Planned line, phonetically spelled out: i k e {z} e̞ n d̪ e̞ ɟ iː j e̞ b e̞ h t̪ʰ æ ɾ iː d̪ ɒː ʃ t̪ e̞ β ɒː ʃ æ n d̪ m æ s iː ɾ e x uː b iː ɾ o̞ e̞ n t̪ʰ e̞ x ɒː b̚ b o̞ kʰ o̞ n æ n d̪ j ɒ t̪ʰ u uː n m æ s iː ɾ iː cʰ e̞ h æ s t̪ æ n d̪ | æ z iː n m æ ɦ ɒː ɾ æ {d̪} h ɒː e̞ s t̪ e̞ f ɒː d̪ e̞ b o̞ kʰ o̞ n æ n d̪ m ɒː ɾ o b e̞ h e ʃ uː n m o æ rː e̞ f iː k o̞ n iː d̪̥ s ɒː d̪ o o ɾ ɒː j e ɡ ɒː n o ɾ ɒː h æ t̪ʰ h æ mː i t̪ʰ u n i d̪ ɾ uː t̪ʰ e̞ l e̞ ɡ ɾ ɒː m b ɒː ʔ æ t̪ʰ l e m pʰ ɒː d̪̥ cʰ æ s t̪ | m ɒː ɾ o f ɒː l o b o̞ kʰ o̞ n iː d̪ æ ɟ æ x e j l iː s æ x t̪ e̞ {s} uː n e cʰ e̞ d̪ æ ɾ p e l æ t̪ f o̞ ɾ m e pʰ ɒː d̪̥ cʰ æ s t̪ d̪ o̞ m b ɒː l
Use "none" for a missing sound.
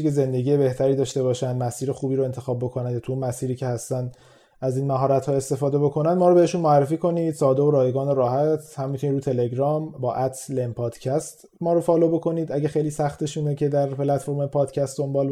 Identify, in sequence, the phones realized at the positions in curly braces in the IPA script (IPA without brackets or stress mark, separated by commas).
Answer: z, t̪, ʃ